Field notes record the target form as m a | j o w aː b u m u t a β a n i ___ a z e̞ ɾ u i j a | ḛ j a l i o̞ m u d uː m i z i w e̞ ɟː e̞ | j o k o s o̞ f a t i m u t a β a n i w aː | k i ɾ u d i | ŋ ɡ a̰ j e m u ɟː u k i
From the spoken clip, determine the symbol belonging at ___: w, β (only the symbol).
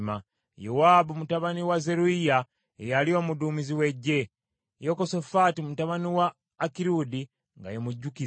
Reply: w